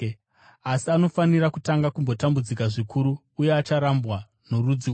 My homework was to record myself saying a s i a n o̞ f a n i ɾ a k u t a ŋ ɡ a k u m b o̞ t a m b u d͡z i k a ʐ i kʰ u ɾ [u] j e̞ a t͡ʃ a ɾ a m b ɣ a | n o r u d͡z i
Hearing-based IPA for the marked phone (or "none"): uː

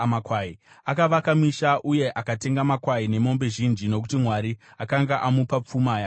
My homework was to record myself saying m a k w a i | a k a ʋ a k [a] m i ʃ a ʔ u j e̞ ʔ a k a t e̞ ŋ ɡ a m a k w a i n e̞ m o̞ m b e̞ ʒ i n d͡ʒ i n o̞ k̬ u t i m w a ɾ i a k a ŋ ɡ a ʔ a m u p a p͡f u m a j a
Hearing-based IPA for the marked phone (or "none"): a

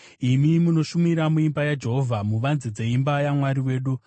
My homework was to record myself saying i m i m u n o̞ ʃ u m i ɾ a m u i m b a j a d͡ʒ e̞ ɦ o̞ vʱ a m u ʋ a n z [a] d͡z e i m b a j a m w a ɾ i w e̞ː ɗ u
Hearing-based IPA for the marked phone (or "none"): i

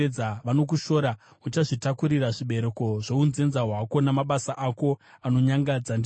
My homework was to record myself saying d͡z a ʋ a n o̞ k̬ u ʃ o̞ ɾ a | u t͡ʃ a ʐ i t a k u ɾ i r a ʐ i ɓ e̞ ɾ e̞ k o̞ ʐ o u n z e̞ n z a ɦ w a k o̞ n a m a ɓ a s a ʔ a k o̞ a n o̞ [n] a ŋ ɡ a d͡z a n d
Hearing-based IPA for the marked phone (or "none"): ɲ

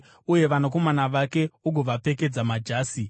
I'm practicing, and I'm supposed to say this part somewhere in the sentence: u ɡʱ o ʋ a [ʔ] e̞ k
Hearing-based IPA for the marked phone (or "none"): p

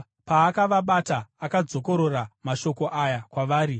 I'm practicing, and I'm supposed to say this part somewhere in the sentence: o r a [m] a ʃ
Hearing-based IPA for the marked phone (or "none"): m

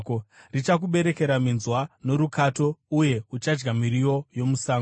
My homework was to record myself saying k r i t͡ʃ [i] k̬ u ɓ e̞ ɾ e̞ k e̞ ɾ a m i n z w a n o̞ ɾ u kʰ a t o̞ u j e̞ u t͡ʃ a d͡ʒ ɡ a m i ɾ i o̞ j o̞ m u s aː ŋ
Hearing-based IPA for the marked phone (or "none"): a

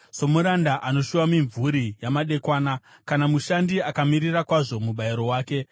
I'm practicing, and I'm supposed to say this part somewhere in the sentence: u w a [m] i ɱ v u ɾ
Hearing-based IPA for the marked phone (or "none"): m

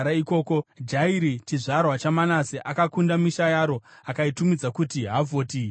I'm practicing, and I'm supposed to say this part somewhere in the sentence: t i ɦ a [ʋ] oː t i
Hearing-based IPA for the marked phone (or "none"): v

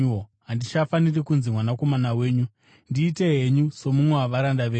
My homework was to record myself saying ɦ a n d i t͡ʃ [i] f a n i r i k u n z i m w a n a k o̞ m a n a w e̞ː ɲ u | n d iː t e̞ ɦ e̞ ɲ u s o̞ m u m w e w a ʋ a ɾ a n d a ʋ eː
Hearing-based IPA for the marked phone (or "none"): a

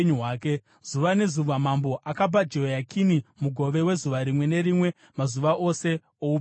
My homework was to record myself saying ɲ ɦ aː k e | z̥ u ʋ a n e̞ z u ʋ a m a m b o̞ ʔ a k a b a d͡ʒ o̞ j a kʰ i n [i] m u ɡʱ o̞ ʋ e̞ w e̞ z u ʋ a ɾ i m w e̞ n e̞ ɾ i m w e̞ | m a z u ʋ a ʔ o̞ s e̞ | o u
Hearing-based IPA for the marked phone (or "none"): i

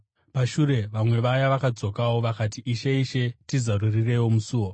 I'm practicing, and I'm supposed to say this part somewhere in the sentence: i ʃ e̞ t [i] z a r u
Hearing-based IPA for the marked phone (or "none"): i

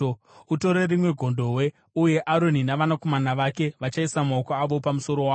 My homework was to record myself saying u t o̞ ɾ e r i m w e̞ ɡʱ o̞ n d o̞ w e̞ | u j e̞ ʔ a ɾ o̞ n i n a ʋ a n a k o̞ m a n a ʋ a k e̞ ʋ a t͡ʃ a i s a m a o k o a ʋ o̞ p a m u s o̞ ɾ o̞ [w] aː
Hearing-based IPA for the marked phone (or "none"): w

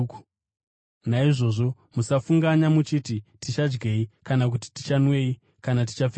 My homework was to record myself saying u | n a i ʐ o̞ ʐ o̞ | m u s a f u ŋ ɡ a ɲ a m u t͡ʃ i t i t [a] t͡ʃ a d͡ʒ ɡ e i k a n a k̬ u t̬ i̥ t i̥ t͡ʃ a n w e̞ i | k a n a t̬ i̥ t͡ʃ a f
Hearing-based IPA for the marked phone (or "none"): i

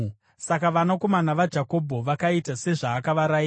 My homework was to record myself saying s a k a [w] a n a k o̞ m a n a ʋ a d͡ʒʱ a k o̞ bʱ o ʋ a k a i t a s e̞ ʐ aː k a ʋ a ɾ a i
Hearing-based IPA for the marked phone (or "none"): ʋ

